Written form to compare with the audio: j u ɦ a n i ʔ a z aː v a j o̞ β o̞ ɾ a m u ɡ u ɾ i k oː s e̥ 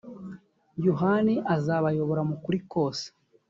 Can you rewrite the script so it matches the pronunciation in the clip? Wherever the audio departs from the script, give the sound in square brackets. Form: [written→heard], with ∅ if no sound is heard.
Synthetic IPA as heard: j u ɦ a n i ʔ a z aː [v→β] a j o̞ β o̞ ɾ a m u [ɡ→k] u ɾ i k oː s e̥